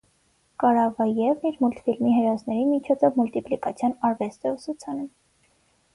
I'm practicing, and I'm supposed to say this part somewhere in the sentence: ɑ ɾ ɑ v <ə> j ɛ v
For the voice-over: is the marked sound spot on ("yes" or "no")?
no